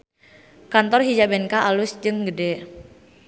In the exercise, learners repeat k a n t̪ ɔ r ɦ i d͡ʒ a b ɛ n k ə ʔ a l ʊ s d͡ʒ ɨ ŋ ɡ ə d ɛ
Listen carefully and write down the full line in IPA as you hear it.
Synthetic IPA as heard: k a n t̪ ɔ r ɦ i d͡ʒ a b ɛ n k a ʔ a l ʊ s d͡ʒ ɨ ŋ ɡ ə d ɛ